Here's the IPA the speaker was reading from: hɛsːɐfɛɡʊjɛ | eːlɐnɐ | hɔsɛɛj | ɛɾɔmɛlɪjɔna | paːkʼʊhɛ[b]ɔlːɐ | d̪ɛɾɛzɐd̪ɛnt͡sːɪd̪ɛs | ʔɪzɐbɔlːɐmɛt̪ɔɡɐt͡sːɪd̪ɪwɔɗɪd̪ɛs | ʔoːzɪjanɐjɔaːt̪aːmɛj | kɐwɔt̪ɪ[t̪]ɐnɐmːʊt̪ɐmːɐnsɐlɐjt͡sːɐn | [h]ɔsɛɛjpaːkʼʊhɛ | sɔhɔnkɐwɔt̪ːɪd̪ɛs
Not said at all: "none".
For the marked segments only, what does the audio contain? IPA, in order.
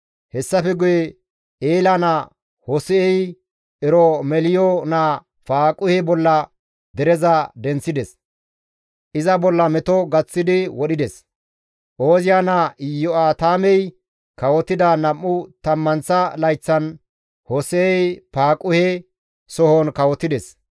b, d̪, h

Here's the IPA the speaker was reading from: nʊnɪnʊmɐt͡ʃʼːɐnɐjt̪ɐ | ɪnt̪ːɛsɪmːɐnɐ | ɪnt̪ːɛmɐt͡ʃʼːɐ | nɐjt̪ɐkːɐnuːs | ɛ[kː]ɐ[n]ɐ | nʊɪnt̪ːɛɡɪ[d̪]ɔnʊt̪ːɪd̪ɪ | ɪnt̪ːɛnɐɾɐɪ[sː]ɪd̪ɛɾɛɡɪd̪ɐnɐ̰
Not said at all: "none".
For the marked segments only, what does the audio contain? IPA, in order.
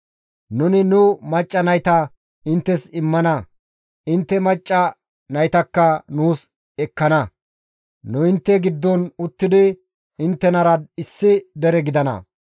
kː, n, d̪ː, sː

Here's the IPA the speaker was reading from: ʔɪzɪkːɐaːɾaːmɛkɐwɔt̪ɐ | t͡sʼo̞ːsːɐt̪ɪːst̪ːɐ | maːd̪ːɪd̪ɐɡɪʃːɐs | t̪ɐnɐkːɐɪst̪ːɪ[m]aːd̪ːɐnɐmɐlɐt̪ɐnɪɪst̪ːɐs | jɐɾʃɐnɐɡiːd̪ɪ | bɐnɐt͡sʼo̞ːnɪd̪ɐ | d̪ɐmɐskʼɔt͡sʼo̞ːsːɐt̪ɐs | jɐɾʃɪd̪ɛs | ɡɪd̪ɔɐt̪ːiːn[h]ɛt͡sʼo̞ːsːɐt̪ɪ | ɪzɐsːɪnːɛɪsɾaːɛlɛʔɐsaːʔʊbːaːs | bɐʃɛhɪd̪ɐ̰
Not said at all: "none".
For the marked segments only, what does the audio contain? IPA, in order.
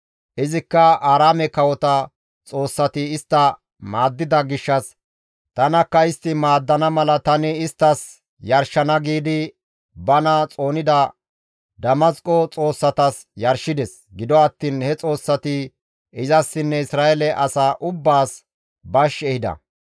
m, h

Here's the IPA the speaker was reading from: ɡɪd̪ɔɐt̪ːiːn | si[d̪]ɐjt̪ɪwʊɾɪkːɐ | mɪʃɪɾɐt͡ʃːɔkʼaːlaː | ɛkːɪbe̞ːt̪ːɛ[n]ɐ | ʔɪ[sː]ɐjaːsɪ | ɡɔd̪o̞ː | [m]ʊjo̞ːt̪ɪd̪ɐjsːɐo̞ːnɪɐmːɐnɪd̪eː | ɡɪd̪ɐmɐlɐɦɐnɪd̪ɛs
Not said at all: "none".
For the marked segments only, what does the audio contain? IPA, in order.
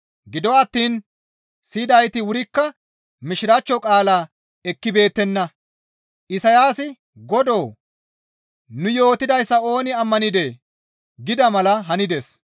d̪, nː, s, n

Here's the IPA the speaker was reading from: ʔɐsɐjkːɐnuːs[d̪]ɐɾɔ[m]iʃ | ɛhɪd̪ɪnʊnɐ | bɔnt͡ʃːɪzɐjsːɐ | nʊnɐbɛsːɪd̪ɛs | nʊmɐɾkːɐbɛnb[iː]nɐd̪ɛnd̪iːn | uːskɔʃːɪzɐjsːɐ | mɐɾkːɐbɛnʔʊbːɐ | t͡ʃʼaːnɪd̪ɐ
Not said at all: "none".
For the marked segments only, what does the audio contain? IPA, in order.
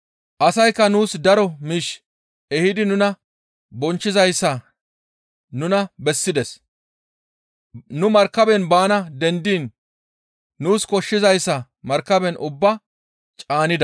d̪, m, aː

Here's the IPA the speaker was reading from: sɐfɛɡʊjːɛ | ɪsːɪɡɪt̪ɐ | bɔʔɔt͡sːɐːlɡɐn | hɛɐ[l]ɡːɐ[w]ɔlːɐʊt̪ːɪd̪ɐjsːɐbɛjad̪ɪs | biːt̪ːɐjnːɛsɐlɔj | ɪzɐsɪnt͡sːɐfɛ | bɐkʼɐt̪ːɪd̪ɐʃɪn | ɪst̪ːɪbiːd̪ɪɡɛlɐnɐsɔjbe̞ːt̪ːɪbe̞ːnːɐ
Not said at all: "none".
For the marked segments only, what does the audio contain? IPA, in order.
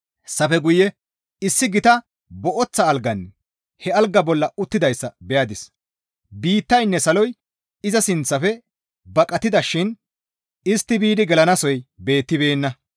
l, b

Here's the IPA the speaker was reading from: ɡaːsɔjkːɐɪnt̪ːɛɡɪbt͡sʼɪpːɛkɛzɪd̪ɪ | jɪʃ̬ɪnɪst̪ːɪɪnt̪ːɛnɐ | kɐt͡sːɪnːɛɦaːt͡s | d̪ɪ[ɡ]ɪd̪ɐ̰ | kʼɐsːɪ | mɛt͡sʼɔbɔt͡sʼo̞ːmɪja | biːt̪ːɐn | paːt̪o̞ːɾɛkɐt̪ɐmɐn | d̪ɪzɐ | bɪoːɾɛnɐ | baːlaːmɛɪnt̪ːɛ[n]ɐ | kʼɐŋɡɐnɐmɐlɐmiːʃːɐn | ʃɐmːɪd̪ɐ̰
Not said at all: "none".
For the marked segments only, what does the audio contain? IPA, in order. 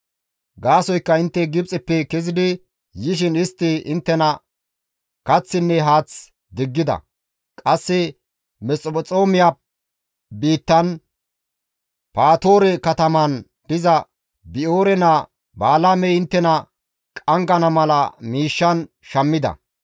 ɡː, n

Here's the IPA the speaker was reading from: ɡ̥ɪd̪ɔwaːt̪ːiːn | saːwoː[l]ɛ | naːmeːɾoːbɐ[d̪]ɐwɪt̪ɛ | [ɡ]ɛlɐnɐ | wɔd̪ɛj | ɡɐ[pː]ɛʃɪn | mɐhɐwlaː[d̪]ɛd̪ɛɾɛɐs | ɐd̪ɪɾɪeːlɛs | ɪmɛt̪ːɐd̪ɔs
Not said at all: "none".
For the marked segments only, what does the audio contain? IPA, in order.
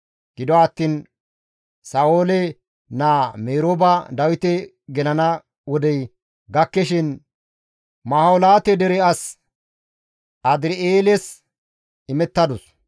l, d̪, ɡ, kː, t̪

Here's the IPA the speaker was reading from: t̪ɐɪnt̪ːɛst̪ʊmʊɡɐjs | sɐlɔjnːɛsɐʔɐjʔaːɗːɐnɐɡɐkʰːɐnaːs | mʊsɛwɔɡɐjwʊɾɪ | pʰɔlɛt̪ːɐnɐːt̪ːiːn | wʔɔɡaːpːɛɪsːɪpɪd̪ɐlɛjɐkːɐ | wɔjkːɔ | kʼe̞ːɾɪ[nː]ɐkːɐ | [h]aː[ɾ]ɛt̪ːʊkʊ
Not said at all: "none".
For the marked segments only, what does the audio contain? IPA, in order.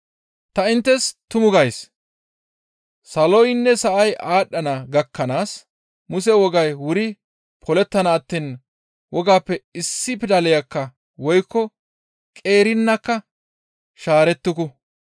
nː, ʃ, ɾ

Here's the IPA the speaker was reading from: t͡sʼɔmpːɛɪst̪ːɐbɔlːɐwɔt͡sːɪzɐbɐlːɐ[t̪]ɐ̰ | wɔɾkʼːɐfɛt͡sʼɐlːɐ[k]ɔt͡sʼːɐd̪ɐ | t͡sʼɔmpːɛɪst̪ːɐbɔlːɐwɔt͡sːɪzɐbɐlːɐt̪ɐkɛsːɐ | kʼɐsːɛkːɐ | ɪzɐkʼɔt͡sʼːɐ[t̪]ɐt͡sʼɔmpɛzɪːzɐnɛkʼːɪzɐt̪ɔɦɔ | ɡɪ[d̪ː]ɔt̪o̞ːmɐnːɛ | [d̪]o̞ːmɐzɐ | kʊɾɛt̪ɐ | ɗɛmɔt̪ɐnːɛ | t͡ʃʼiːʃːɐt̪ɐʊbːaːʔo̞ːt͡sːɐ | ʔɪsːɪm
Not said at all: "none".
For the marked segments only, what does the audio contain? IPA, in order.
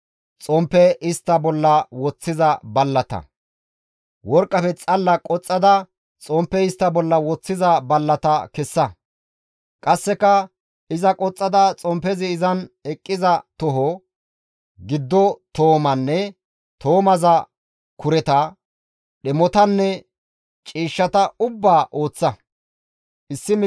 t̪, kʼ, d̪, d̪ː, t̪

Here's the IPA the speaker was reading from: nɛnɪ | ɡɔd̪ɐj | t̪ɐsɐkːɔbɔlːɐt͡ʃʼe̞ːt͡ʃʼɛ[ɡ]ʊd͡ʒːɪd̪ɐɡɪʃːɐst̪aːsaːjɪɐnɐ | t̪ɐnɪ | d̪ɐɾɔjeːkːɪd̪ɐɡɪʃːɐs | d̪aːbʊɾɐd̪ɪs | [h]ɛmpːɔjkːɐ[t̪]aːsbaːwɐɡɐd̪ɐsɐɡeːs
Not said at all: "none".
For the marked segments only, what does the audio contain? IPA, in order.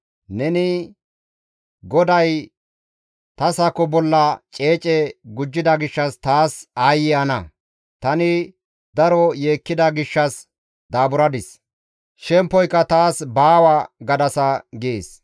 ɡ, ʃ, t̪

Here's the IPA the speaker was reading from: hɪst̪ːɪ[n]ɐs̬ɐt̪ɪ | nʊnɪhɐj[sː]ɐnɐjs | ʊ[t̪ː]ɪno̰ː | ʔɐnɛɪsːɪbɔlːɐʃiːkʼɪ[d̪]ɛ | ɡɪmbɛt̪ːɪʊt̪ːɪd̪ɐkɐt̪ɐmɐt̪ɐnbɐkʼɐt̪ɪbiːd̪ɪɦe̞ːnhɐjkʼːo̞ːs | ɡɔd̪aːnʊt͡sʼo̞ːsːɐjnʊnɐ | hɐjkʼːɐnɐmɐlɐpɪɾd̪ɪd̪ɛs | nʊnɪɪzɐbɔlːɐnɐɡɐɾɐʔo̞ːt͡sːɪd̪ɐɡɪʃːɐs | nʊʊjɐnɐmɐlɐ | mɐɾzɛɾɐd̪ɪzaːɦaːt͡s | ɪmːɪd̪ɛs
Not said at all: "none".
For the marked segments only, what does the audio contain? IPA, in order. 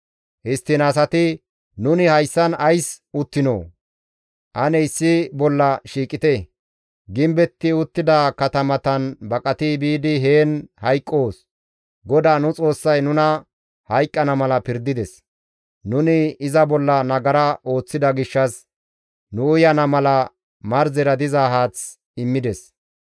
n, sː, t̪ː, t̪

